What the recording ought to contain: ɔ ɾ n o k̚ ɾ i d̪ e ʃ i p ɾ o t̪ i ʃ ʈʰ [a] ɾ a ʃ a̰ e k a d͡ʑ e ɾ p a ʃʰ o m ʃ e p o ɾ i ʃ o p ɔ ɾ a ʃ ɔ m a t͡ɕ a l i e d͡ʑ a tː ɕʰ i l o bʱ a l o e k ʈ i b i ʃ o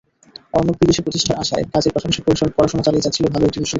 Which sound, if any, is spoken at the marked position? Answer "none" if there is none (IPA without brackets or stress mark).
a